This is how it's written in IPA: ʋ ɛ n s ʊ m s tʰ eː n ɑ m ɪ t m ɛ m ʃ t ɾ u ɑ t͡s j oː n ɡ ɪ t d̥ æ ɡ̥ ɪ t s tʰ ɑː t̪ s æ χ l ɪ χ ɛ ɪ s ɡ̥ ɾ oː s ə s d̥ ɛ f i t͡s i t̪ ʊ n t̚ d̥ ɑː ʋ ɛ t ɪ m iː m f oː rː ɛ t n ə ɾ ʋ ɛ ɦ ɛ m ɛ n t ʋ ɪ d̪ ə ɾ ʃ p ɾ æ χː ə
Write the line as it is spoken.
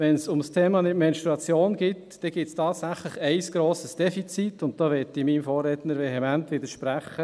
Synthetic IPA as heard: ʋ ɛ n s ʊ m s tʰ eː m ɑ n ɪ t m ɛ n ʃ t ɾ u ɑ t͡s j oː n ɡ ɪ t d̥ ɛ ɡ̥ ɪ t s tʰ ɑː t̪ s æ χ l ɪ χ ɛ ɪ s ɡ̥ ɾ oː s ə s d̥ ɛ f i t͡s i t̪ ʊ n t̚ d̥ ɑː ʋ ɛ t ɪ m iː m f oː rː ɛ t n ə ɾ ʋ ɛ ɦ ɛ m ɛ n t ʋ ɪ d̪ ə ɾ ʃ p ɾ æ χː ə